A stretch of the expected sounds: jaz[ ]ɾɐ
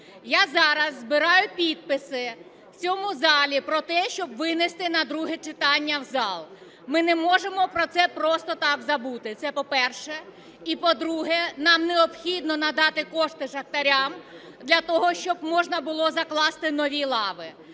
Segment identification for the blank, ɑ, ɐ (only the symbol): ɑ